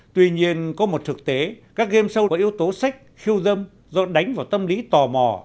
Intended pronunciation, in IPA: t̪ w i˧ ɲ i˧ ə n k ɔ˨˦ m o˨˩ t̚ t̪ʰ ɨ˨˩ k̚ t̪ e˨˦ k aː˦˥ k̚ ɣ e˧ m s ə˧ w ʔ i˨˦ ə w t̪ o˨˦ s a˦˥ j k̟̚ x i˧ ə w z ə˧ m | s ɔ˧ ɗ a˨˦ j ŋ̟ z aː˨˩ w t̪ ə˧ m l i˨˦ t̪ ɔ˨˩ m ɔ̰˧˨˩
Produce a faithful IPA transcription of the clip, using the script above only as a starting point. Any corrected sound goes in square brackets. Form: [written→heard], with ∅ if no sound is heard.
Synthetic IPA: t̪ w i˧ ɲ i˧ ə n k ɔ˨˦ m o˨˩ t̚ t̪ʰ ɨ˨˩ k̚ t̪ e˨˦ k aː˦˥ k̚ ɣ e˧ m s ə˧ w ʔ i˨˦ ə w t̪ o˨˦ s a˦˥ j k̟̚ x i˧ ə w z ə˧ m | [s→z] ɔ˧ ɗ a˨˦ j ŋ̟ [z→v] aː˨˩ w t̪ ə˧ m l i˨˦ t̪ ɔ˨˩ m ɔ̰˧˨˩

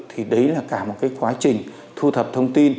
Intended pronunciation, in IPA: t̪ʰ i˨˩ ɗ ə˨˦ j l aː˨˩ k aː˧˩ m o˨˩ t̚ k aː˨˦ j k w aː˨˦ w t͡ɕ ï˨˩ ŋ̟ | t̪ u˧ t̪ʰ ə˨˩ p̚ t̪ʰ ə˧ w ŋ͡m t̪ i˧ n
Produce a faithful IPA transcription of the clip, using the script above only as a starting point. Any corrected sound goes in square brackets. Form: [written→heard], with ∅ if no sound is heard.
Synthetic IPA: t̪ʰ i˨˩ ɗ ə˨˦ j l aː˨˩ k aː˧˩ m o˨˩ t̚ k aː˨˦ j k w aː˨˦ [w→∅] t͡ɕ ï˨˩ ŋ̟ | [t̪→t̪ʰ] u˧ t̪ʰ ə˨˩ p̚ t̪ʰ ə˧ w ŋ͡m t̪ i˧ n

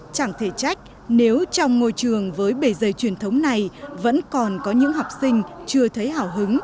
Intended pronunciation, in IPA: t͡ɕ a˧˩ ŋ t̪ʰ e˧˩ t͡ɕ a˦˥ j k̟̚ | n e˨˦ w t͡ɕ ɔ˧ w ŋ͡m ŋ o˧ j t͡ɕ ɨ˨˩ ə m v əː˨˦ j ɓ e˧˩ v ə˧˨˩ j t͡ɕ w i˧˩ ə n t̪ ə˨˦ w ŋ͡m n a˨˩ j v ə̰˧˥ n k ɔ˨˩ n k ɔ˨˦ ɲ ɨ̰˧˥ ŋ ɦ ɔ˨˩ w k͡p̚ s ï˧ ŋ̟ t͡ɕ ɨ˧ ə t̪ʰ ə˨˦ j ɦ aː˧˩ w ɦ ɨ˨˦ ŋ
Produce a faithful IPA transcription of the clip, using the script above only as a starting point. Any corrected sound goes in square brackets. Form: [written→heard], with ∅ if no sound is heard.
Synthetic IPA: t͡ɕ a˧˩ ŋ t̪ʰ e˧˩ t͡ɕ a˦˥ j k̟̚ | n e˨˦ w t͡ɕ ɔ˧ w ŋ͡m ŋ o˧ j t͡ɕ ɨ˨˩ ə [m→ŋ] v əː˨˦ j ɓ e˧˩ [v→z] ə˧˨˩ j t͡ɕ w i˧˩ ə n [t̪→t̪ʰ] ə˨˦ w ŋ͡m n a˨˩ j v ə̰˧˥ n k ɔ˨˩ n k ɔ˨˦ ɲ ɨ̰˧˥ ŋ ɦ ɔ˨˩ w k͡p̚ s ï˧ ŋ̟ t͡ɕ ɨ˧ ə t̪ʰ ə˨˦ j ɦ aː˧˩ w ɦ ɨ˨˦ ŋ

